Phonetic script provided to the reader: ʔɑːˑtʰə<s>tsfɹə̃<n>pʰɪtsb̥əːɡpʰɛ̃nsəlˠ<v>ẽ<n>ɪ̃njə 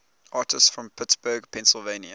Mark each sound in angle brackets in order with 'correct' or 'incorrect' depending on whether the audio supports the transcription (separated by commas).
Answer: correct, incorrect, correct, incorrect